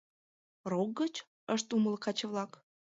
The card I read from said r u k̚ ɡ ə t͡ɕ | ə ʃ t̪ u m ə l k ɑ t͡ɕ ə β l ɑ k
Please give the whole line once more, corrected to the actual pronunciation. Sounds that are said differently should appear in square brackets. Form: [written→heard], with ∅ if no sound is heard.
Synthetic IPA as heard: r [u→o] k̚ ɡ ə t͡ɕ | ə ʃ t̪ u m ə l k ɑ t͡ɕ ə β l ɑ k